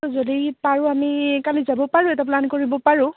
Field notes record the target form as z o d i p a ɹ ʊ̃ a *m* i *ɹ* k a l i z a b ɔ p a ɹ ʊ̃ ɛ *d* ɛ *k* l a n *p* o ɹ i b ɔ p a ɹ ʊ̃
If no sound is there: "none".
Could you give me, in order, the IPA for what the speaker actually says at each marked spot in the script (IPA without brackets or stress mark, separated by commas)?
m, none, t, p, k